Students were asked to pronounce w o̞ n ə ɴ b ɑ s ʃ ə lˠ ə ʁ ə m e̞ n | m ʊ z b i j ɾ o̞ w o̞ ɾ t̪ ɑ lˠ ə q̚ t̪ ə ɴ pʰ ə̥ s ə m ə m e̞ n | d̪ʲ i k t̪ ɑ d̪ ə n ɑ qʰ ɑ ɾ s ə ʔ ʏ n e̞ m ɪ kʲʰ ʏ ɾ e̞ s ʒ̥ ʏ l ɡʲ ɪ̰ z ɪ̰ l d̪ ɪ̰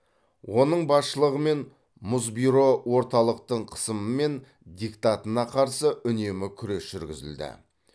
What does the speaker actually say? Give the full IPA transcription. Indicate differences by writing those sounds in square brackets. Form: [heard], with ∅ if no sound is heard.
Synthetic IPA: w o̞ n ə ɴ b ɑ s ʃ ə lˠ ə ʁ ə m e̞ n | m ʊ z b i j ɾ o̞ w o̞ ɾ t̪ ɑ lˠ ə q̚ t̪ ə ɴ [qʰ] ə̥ s ə m ə m e̞ n | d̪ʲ i k t̪ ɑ [t̪] ə n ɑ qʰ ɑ ɾ s ə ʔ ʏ n e̞ m ɪ kʲʰ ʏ ɾ e̞ s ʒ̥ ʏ [ɾ] ɡʲ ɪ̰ z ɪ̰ l d̪ ɪ̰

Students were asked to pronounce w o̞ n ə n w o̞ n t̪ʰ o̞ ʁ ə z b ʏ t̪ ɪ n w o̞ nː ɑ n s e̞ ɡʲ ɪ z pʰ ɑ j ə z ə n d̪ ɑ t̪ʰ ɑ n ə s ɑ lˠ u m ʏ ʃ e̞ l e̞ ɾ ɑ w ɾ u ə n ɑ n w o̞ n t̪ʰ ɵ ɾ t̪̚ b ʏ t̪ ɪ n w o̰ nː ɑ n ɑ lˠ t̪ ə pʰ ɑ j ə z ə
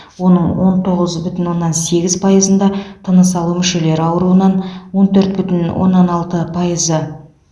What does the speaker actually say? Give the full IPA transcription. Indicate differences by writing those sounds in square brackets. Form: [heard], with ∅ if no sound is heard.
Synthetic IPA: w o̞ n ə [ɴ] w o̞ n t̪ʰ o̞ ʁ ə z b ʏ t̪ ɪ n w o̞ nː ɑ n s e̞ ɡʲ ɪ z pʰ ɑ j ə z ə n d̪ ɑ t̪ʰ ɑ n ə s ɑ lˠ u m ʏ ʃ e̞ l e̞ ɾ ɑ w ɾ u ə n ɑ n w o̞ n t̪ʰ ɵ ɾ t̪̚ b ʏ t̪ ɪ n w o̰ nː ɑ n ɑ lˠ t̪ ə pʰ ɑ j ə z ə

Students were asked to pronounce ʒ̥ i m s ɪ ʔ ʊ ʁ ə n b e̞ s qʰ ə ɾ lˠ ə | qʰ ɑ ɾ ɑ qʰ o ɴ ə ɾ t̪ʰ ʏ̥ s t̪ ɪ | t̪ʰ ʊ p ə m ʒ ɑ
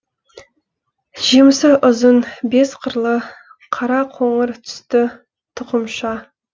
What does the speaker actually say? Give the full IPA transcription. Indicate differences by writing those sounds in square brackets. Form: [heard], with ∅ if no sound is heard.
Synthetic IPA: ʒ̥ i m s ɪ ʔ ʊ [z] ə n b e̞ s qʰ ə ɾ lˠ ə | qʰ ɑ ɾ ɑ qʰ o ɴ ə ɾ t̪ʰ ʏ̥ s t̪ ɪ | t̪ʰ ʊ [q] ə m [ʃ] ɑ

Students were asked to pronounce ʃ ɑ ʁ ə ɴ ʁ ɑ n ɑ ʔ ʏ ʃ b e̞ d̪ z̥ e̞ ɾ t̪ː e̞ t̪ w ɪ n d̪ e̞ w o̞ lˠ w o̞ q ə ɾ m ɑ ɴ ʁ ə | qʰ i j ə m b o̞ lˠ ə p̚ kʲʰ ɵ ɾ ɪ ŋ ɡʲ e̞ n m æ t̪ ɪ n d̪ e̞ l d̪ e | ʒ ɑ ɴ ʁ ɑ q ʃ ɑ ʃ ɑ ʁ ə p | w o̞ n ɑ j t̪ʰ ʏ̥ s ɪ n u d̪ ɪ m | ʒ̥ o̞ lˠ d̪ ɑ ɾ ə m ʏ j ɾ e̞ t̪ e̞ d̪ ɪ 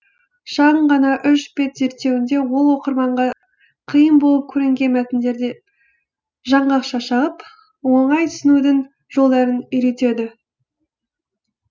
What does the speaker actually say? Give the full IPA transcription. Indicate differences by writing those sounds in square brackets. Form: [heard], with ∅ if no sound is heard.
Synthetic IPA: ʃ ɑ ʁ ə ɴ ʁ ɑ n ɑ ʔ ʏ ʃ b e̞ [t̪] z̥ e̞ ɾ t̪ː e̞ [∅] w ɪ n d̪ e̞ w o̞ lˠ w o̞ q ə ɾ m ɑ ɴ ʁ [ɑ] | qʰ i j ə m b o̞ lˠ ə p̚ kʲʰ ɵ ɾ ɪ ŋ ɡʲ e̞ n m æ t̪ ɪ n d̪ e̞ [ɾ] d̪ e | ʒ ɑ ɴ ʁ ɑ q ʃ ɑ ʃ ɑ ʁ ə p | w o̞ [ɴ] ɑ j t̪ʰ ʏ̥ s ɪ n u d̪ ɪ [ŋ] | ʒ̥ o̞ lˠ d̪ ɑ ɾ ə [n] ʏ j ɾ e̞ t̪ e̞ d̪ ɪ

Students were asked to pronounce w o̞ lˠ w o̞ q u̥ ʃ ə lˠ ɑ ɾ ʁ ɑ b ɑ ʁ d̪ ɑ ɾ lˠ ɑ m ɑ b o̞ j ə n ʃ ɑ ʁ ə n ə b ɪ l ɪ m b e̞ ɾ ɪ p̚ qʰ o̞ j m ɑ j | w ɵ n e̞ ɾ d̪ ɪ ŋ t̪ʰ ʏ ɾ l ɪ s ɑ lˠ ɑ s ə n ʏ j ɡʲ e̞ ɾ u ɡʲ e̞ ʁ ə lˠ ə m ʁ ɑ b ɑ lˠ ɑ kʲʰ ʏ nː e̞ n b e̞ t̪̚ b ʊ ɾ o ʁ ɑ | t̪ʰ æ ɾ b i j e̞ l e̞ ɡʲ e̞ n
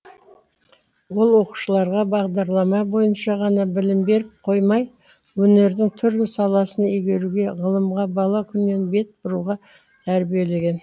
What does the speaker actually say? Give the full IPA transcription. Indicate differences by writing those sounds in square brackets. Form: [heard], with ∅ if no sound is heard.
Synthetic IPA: w o̞ lˠ w o̞ q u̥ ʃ ə lˠ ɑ ɾ ʁ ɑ b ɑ ʁ d̪ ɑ ɾ lˠ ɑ m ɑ b o̞ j ə n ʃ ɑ ʁ [ɑ] n [ɑ] b ɪ l ɪ m b e̞ ɾ ɪ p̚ qʰ o̞ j m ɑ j | w ɵ n e̞ ɾ d̪ ɪ ŋ t̪ʰ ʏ ɾ l ɪ s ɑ lˠ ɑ s ə n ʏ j ɡʲ e̞ ɾ u ɡʲ e̞ ʁ ə lˠ ə m ʁ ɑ b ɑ lˠ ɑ kʲʰ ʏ nː e̞ n b e̞ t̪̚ b ʊ ɾ [u] ʁ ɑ | t̪ʰ æ ɾ b i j e̞ l e̞ ɡʲ e̞ n

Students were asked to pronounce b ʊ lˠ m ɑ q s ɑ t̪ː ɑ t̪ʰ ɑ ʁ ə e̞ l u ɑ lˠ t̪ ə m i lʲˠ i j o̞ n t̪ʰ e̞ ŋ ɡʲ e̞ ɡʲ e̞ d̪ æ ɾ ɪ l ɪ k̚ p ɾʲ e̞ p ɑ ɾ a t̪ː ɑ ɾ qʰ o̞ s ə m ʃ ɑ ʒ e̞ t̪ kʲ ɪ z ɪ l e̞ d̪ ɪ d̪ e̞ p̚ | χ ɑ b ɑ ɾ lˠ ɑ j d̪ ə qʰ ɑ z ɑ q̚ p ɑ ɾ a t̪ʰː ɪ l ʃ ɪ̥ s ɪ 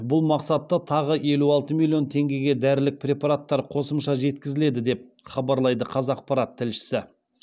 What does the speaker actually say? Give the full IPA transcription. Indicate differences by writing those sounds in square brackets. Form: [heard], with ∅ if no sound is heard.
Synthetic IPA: b ʊ lˠ m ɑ q s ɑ t̪ː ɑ t̪ʰ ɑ ʁ ə e̞ l u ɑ lˠ t̪ ə m i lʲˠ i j o̞ n t̪ʰ e̞ ŋ ɡʲ e̞ ɡʲ e̞ d̪ æ ɾ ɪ l ɪ k̚ p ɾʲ e̞ p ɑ ɾ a t̪ː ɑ ɾ qʰ o̞ s ə m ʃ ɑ ʒ e̞ t̪ kʲ ɪ z ɪ l e̞ d̪ ɪ d̪ e̞ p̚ | χ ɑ b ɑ ɾ lˠ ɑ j d̪ ə qʰ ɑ z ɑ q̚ p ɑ ɾ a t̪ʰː ɪ l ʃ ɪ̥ s ɪ

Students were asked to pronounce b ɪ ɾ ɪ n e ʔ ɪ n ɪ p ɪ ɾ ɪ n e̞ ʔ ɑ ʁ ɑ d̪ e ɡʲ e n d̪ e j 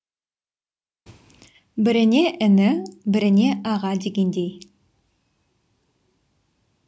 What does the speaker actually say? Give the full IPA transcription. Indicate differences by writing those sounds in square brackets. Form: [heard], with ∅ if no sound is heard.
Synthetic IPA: b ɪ ɾ ɪ n e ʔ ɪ n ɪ [b] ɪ ɾ ɪ n e̞ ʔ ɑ ʁ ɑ d̪ e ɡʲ e n d̪ e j

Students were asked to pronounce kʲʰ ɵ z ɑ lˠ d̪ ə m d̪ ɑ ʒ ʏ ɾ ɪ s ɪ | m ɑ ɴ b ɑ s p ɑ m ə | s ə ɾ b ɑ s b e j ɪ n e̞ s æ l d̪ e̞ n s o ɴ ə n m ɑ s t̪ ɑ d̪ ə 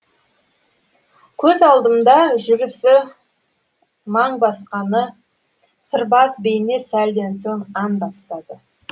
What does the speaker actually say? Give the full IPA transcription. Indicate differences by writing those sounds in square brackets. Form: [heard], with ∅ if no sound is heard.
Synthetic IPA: kʲʰ ɵ z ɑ lˠ d̪ ə m d̪ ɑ ʒ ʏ ɾ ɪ s ɪ | m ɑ ɴ b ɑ s [q] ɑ [n] ə | s ə ɾ b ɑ s b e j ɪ n e̞ s æ l d̪ e̞ n s o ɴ [ɑ] n [b] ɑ s t̪ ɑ d̪ ə

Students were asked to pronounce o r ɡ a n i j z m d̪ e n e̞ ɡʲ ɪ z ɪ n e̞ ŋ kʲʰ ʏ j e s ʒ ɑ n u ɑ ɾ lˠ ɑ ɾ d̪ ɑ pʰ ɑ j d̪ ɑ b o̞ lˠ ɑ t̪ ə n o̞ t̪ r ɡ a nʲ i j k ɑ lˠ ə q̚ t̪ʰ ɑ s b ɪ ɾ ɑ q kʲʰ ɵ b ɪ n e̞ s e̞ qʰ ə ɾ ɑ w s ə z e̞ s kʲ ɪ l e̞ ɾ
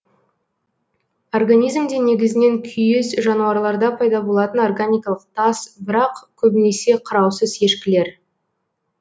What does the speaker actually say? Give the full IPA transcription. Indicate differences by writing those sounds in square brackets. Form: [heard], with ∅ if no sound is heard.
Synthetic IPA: o r ɡ a n i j z m d̪ e n e̞ ɡʲ ɪ z ɪ n e̞ ŋ kʲʰ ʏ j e s ʒ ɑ n u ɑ ɾ lˠ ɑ ɾ d̪ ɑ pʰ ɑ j d̪ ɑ b o̞ lˠ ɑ t̪ ə n o̞ [∅] r ɡ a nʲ i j k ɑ lˠ ə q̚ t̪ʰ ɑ s b ɪ ɾ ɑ q kʲʰ ɵ b ɪ n e̞ s e̞ qʰ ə ɾ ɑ w s ə z e̞ [ʃ] kʲ ɪ l e̞ ɾ

